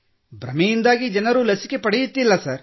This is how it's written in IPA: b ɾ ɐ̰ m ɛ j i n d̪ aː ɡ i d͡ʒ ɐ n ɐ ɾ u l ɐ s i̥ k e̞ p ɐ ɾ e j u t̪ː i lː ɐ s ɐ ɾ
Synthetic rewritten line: b ɾ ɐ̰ m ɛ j i n d̪ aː ɡ i d͡ʒ ɐ n ɐ ɾ u l ɐ s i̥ k e̞ p ɐ ɽ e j u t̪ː i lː ɐ s ɐ ɾ